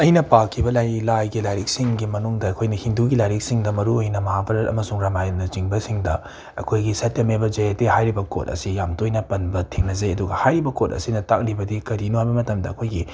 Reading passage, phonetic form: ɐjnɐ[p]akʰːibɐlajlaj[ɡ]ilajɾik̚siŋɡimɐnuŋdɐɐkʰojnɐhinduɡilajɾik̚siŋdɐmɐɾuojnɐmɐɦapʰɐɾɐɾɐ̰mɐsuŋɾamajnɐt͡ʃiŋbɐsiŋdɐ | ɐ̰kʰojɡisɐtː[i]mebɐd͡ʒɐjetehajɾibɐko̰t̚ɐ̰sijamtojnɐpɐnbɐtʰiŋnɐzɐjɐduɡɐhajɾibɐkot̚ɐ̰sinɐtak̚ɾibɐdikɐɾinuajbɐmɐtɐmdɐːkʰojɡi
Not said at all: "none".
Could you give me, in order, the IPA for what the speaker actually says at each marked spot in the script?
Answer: p, ɡ, e

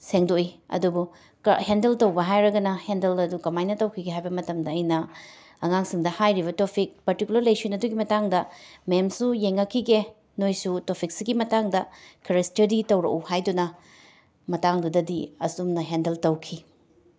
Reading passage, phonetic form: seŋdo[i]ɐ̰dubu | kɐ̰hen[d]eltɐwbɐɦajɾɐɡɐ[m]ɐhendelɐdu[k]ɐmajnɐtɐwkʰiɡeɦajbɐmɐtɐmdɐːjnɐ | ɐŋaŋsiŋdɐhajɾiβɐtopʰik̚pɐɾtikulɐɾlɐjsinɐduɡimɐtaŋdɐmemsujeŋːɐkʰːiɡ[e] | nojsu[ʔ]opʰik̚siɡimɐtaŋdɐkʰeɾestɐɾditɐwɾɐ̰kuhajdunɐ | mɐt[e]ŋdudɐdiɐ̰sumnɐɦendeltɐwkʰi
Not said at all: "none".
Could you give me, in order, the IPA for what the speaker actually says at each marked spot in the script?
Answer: i, d, n, k, e, t, a

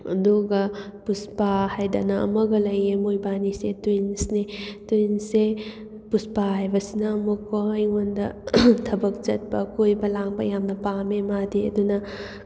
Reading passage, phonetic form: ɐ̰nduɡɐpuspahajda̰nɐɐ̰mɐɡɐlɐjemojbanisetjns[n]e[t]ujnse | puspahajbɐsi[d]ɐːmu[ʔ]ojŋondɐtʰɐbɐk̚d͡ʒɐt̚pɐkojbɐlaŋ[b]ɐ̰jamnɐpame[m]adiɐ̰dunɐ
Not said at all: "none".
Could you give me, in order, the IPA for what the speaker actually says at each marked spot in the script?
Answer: n, t, n, k, b, m

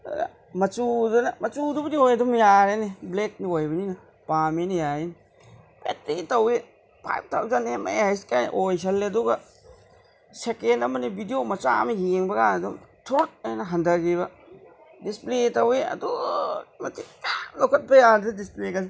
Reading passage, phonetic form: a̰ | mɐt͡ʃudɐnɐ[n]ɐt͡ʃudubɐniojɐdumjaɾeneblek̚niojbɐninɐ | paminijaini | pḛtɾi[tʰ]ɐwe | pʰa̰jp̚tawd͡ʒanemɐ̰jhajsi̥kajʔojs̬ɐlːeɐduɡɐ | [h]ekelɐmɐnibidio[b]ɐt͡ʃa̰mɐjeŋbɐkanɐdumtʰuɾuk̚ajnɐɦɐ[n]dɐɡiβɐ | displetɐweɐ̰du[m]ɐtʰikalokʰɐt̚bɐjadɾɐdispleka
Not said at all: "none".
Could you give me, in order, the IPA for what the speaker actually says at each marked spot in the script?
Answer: m, t, s, m, n, m

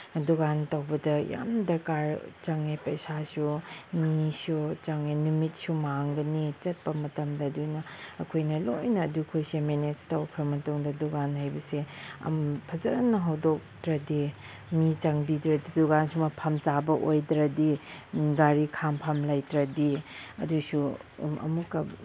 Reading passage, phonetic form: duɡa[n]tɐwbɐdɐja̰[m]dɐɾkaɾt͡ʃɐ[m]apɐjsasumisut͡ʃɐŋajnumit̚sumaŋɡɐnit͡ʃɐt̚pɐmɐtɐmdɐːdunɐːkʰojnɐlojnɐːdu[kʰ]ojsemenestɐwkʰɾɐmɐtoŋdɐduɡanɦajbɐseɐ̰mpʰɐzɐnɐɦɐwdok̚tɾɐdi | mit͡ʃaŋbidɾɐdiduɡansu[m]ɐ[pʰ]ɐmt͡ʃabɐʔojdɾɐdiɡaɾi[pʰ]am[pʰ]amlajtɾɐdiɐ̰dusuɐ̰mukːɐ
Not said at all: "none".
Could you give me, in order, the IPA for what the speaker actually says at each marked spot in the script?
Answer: n, m, ŋ, kʰ, m, pʰ, kʰ, pʰ

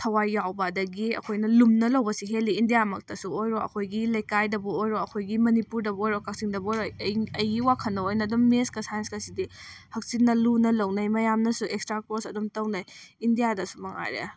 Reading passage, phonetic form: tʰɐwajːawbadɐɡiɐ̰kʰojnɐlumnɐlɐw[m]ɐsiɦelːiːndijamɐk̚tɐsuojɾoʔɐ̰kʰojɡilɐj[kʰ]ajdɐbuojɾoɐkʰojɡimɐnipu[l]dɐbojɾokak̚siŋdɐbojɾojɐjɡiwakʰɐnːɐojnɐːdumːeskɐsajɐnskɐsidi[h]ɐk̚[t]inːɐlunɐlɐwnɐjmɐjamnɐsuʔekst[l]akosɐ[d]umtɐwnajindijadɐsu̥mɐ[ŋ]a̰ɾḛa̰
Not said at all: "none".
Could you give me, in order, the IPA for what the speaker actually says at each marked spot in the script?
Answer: b, k, ɾ, h, s, ɾ, d, ŋ

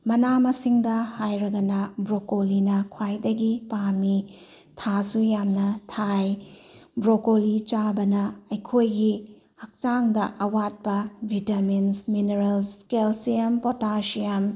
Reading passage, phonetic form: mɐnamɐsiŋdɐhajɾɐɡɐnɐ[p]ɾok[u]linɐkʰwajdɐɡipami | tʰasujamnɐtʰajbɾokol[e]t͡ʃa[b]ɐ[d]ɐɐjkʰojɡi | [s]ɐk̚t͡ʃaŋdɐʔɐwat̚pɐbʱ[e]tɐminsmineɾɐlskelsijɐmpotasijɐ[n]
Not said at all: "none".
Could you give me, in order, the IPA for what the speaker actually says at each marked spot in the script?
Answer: b, o, i, b, n, h, i, m

